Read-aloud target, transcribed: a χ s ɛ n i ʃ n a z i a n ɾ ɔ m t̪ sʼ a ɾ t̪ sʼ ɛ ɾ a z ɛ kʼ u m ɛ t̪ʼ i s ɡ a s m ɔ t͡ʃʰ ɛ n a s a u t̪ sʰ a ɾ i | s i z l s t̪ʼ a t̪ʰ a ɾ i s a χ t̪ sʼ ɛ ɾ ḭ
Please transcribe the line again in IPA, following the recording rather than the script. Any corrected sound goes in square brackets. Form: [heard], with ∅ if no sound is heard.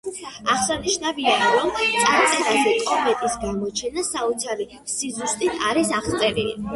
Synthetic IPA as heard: a χ s [a] n i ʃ n a [v] i a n ɾ ɔ m t̪ sʼ a ɾ t̪ sʼ ɛ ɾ a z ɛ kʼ [ɔ] m ɛ t̪ʼ i s ɡ a [∅] m ɔ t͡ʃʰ ɛ n a s a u t̪ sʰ a ɾ i | s i z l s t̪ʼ [i] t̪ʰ a ɾ i s a χ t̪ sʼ ɛ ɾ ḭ